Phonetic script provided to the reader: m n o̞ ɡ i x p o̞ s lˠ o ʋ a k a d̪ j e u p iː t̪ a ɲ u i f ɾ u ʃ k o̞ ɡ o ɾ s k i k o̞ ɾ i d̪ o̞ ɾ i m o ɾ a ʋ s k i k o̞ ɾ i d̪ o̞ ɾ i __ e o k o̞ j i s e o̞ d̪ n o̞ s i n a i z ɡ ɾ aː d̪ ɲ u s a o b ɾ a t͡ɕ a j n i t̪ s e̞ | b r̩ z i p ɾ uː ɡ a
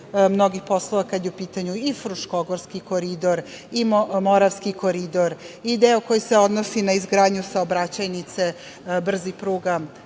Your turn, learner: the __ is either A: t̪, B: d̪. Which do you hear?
B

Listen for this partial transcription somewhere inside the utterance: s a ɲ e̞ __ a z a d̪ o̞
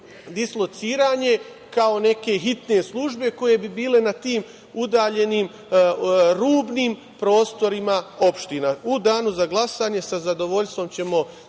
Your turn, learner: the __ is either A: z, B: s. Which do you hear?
B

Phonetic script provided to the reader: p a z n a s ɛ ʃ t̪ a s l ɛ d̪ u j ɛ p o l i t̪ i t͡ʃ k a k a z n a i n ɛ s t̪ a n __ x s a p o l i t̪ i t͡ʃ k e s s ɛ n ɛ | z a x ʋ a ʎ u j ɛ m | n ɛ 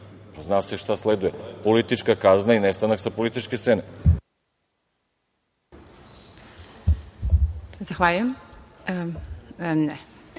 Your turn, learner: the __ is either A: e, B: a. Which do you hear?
B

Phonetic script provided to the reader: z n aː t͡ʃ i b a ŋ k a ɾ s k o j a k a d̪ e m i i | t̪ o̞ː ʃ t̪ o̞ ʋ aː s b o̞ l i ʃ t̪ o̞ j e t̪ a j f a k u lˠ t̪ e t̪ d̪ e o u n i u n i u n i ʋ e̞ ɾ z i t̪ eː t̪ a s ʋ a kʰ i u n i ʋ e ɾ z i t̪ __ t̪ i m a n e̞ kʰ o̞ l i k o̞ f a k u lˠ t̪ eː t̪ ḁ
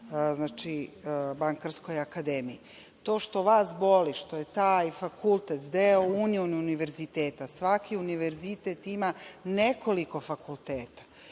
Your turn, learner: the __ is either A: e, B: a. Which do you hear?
A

